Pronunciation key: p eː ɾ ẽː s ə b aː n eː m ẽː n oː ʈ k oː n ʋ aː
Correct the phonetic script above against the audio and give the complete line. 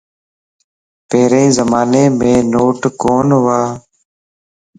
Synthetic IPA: p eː ɾ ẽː z ə m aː n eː m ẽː n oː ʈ k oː n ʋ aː